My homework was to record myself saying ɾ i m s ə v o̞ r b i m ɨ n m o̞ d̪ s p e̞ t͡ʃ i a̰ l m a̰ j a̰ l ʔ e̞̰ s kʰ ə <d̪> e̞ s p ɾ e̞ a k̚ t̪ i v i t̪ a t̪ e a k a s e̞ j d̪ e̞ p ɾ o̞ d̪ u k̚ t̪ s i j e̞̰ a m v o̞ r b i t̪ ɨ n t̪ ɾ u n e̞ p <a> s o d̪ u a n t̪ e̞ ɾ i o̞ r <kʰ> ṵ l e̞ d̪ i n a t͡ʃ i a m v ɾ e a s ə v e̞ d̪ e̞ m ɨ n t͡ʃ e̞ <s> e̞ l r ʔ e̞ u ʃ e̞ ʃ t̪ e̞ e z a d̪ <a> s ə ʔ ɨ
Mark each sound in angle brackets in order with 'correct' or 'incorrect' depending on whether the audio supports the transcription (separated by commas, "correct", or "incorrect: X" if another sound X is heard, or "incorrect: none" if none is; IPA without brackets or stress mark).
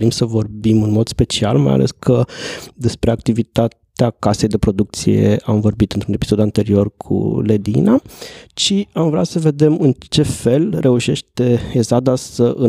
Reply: correct, incorrect: i, correct, incorrect: f, correct